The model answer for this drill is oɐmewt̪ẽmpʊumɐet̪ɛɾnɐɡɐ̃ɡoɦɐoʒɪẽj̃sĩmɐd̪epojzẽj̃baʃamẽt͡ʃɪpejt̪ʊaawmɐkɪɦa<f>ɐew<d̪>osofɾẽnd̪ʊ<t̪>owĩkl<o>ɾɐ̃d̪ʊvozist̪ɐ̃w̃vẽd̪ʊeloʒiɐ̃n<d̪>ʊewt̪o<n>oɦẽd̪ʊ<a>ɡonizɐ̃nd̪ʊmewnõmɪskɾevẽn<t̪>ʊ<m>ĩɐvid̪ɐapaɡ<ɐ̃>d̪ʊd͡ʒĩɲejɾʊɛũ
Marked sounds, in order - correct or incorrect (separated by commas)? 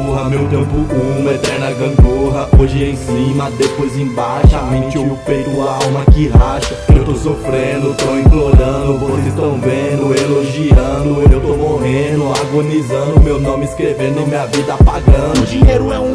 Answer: incorrect, incorrect, correct, correct, correct, incorrect, correct, incorrect, correct, correct